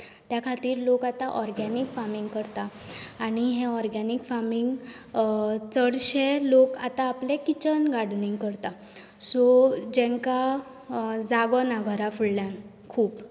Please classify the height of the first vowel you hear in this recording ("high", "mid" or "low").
low